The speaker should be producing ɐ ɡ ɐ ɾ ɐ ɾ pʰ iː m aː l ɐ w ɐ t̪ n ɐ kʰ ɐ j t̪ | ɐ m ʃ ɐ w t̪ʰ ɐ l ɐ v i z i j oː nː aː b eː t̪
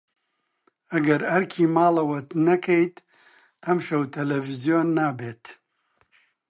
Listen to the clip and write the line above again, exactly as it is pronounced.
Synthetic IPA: ɐ ɡ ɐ ɾ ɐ ɾ kʰ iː m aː l ɐ w ɐ t̪ n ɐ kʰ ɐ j t̪ | ɐ m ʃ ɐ w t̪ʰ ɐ l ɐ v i z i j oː nː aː b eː t̪